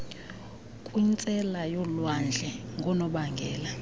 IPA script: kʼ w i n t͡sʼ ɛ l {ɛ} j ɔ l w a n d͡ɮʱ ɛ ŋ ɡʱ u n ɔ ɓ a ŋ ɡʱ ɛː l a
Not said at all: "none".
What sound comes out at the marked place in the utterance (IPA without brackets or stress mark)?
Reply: a